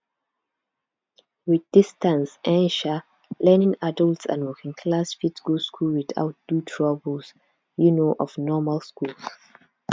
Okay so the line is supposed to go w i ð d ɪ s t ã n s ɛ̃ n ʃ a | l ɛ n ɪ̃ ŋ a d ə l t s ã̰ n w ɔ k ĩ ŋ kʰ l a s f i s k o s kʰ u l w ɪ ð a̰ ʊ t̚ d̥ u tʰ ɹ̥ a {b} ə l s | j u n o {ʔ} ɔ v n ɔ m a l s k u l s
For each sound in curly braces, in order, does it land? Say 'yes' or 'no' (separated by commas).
yes, yes